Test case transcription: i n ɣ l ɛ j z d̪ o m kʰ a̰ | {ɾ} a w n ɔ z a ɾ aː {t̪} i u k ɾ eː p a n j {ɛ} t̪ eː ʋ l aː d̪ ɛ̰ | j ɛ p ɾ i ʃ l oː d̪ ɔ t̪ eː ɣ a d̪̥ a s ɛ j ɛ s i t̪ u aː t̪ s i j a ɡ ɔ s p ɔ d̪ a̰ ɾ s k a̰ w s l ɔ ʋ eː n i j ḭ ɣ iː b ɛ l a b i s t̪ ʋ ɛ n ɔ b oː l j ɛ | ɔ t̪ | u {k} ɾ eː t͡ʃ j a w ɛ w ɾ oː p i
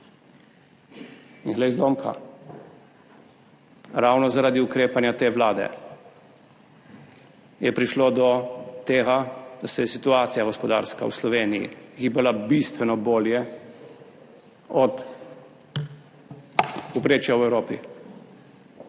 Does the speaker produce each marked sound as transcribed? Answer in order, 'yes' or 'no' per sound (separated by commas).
yes, no, no, no